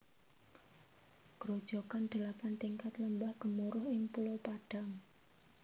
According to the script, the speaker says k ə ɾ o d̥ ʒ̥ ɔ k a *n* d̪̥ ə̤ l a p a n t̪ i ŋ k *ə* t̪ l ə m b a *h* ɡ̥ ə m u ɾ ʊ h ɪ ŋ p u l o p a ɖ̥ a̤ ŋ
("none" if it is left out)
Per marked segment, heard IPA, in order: n, a, h

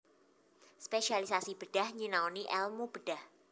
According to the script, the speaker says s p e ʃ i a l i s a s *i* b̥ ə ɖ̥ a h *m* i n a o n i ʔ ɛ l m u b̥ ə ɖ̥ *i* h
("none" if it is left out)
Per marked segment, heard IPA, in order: i, ɲ, a

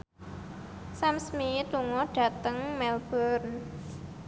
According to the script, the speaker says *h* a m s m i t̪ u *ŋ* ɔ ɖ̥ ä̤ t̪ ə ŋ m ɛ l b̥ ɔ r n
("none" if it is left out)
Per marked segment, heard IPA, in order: s, ŋ

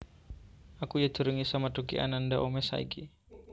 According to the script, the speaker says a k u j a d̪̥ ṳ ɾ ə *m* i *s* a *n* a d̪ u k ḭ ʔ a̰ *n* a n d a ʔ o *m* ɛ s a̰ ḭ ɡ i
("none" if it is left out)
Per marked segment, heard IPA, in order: ŋ, s, m, n, m

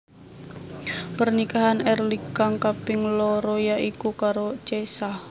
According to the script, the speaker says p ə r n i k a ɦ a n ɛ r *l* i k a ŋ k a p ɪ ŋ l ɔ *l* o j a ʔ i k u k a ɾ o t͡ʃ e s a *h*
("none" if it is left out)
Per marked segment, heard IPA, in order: l, ɾ, h

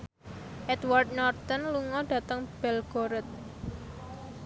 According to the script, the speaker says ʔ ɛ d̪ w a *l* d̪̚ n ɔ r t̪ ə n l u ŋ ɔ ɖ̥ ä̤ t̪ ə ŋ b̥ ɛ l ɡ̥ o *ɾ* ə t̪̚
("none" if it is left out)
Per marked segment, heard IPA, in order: r, ɾ

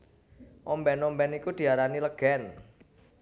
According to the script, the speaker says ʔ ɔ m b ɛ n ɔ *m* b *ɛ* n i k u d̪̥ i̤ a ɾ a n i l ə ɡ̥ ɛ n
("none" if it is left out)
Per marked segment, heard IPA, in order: m, ɛ

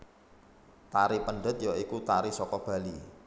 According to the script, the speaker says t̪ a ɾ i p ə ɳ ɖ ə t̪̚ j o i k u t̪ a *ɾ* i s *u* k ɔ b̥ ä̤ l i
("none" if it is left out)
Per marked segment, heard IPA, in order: ɾ, ɔ

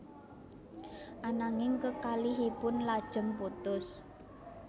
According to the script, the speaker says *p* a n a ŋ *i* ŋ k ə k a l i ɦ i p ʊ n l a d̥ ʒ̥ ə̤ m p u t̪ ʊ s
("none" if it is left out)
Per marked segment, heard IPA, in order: ʔ, ɪ

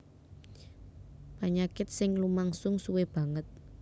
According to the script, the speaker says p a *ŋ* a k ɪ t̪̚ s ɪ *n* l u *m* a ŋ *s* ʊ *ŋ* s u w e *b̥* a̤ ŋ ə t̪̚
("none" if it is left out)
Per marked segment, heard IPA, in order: ɲ, ŋ, m, s, ŋ, b̥

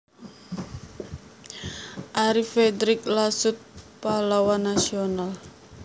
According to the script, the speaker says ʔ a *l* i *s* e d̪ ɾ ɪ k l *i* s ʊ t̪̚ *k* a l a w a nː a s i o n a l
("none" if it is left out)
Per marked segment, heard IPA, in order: ɾ, f, a, p

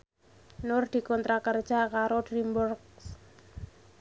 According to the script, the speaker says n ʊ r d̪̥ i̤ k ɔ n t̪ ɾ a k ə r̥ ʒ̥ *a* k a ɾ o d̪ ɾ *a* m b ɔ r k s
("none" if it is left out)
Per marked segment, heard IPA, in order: a, i

